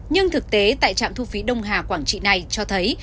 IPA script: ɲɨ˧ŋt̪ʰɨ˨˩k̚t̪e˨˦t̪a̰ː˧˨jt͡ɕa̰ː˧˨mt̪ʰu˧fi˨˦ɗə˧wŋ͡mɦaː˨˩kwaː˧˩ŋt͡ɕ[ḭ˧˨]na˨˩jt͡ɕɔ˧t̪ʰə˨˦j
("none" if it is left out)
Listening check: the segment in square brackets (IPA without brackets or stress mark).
ḭ˧˨